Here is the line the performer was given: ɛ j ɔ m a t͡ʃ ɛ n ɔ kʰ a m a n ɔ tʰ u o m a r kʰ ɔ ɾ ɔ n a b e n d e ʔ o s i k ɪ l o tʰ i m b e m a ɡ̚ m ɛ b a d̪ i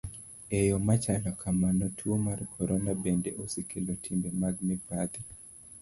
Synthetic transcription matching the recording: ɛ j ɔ m a t͡ʃ a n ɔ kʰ a m a n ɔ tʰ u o m a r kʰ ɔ ɾ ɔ n a b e n d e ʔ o s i k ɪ l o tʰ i m b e m a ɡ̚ m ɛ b a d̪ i

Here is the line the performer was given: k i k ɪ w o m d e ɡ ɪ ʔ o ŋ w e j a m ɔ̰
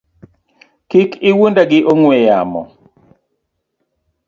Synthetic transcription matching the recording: k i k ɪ w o n d a ɡ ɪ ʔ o ŋ w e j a m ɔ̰

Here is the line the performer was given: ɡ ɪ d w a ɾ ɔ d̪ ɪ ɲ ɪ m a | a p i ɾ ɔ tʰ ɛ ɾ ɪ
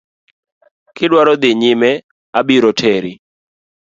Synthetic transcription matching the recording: k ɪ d w a ɾ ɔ d̪ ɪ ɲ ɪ m ɛ | a b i ɾ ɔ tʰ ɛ ɾ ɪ

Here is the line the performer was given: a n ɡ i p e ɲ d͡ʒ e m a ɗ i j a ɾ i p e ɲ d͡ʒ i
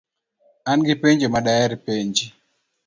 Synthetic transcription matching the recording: a n ɡ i p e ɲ d͡ʒ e m a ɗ a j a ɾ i p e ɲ d͡ʒ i

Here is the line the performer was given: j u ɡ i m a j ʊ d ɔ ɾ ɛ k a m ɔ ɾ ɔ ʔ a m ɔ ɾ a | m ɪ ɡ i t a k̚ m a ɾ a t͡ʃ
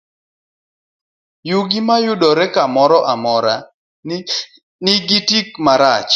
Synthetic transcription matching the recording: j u ɡ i m a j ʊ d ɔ ɾ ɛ k a m ɔ ɾ ɔ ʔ a m ɔ ɾ a | n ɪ ɡ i t i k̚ m a ɾ a t͡ʃ

